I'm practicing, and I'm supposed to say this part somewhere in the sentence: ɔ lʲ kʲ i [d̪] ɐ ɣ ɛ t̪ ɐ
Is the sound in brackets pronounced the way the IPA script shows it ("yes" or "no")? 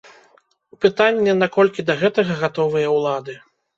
yes